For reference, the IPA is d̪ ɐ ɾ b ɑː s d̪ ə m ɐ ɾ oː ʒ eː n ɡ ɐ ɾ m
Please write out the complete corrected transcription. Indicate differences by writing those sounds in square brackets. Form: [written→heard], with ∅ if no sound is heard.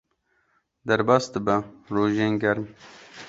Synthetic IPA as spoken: d̪ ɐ ɾ b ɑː s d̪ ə [m→b] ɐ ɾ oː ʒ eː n ɡ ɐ ɾ m